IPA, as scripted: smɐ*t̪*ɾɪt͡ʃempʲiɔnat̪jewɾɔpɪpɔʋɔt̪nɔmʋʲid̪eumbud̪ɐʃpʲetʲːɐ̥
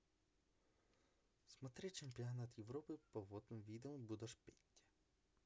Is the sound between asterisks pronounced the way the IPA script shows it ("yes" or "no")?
yes